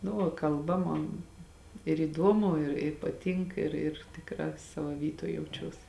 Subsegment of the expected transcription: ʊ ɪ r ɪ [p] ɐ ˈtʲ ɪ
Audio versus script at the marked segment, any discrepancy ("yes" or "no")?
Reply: no